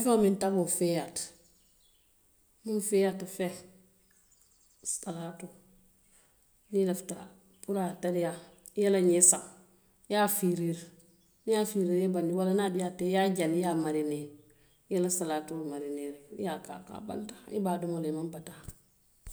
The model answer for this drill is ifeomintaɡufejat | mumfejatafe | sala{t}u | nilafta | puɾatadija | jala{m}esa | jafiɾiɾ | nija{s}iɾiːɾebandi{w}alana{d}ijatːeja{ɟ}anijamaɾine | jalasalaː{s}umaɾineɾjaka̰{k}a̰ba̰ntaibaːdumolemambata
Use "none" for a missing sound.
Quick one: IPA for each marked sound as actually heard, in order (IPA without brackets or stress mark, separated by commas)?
t, ɲ, f, w, d, ɟ, t, k